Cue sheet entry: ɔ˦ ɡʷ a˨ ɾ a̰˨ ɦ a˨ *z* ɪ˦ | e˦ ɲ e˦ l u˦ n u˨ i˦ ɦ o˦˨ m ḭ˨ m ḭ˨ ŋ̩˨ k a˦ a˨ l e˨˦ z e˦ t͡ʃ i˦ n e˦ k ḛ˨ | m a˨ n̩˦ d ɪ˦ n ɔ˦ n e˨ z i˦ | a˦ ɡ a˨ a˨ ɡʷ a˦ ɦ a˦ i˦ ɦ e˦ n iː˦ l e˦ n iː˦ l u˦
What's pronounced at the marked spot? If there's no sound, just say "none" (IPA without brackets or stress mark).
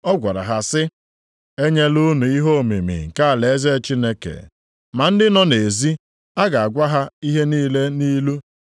s